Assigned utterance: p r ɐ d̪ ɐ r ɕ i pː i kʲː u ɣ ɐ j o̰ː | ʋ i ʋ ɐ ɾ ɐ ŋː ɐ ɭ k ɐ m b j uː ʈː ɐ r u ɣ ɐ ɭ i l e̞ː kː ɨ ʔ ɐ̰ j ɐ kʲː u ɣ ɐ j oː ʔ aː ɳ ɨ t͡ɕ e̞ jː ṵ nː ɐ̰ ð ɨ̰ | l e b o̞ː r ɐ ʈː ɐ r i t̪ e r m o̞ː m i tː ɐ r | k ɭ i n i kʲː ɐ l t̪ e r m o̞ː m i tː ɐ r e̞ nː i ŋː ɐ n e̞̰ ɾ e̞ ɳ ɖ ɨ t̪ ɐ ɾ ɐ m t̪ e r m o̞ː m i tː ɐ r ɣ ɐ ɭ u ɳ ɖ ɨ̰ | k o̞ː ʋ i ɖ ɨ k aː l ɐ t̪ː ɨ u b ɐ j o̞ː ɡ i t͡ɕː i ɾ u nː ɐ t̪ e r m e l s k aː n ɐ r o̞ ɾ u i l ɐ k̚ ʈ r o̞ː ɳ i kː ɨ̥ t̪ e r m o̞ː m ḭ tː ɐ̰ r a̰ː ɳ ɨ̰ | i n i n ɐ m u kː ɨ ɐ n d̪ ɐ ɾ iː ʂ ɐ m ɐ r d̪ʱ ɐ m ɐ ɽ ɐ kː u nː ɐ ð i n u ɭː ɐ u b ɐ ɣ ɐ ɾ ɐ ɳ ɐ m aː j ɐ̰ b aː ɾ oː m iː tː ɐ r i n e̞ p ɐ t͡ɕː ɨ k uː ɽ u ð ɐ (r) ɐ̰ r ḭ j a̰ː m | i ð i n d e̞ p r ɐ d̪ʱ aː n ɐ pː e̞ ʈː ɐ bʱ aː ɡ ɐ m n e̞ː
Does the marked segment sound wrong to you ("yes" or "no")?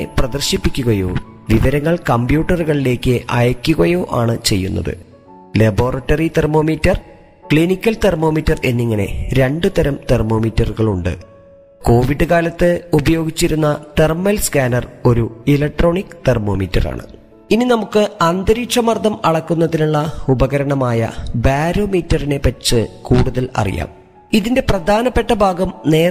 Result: yes